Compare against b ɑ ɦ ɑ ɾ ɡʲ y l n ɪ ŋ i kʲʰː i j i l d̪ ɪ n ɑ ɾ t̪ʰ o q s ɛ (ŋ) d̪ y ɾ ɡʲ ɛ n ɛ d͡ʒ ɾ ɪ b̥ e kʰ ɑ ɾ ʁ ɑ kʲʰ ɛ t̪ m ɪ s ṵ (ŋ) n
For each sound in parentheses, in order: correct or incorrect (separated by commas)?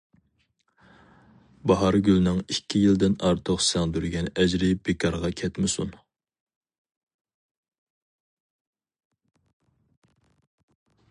correct, incorrect